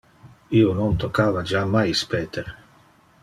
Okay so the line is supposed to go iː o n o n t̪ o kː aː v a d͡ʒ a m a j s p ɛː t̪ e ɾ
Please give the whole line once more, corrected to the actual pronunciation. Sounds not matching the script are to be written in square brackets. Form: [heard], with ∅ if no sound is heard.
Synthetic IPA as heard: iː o n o n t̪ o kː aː v a d͡ʒ a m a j s p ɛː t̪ e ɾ